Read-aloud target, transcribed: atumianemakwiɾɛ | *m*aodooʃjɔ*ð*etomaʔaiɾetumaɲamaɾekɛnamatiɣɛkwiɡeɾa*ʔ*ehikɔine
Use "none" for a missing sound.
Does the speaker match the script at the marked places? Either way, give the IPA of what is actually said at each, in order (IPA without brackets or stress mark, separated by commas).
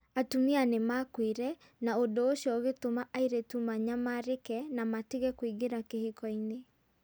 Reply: n, ɣ, k